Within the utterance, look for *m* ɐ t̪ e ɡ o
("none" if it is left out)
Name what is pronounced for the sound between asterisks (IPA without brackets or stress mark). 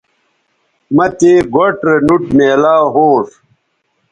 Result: m